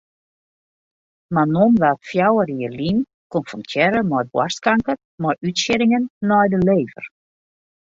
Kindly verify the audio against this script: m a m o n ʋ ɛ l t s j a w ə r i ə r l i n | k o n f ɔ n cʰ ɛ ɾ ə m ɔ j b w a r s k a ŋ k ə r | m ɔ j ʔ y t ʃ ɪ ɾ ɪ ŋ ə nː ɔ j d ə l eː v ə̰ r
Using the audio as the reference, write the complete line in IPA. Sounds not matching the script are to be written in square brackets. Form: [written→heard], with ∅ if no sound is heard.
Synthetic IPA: m a [m→n] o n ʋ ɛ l t [s→f] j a w ə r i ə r l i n | k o n f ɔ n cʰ ɛ ɾ ə m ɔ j b w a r s k a ŋ k ə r | m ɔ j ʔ y t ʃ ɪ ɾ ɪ ŋ ə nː ɔ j d ə l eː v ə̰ r